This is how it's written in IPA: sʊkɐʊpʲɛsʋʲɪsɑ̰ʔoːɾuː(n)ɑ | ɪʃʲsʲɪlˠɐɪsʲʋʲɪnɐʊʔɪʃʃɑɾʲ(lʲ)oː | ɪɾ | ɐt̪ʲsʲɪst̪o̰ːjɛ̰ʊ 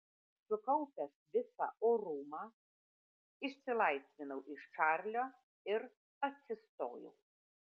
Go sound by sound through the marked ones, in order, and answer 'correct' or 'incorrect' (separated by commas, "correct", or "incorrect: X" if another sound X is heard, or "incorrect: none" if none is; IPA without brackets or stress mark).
incorrect: m, correct